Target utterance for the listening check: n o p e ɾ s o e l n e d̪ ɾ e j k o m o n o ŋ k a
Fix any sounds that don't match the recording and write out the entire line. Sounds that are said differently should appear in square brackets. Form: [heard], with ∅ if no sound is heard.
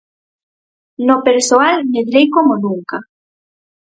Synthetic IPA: n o p e ɾ s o [a] l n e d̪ ɾ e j k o m o n [u] ŋ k a